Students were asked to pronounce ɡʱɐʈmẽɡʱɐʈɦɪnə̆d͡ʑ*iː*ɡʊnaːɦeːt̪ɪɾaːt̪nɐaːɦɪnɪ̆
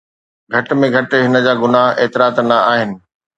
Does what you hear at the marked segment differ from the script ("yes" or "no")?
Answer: yes